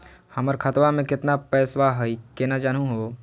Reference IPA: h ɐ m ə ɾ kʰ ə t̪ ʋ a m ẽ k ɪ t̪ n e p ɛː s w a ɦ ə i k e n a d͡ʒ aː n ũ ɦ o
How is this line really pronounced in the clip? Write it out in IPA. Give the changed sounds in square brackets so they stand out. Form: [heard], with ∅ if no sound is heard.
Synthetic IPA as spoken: h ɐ m ə ɾ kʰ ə t̪ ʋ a m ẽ k ɪ t̪ n [a] p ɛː s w a ɦ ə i k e n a d͡ʒ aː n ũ ɦ o